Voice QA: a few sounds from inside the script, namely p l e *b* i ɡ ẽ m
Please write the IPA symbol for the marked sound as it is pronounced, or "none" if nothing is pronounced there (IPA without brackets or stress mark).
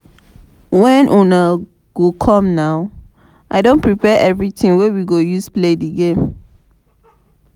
d